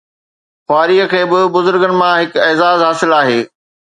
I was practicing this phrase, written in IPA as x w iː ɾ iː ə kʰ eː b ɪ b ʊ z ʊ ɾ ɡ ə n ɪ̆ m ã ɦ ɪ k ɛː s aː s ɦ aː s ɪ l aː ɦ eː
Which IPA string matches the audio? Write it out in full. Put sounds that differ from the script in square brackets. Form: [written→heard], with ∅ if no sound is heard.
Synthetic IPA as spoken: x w [iː→aː] ɾ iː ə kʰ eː b ɪ b ʊ z ʊ ɾ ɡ ə n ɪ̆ m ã ɦ ɪ k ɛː [s→z] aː [s→z] ɦ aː s ɪ l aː ɦ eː